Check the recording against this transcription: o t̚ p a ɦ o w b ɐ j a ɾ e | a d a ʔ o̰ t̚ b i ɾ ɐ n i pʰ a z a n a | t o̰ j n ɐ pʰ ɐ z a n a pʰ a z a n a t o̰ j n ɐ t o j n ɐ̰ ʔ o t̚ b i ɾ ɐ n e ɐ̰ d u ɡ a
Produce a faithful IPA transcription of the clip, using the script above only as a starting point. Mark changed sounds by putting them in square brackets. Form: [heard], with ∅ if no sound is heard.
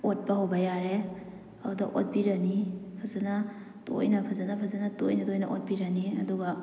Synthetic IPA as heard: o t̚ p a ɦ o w b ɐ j a ɾ e | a d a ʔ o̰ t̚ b i ɾ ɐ n i pʰ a z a n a | t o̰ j n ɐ pʰ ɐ z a n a pʰ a z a n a t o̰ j n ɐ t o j n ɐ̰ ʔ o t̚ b i ɾ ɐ n [i] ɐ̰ d u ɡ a